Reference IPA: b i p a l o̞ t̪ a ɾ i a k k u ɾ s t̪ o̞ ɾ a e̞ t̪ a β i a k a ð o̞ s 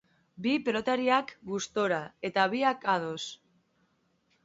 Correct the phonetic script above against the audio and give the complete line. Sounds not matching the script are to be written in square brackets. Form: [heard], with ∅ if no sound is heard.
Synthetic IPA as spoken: b i p [e] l o̞ t̪ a ɾ i a k [ɡ] u [∅] s t̪ o̞ ɾ a e̞ t̪ a β i a k a ð o̞ s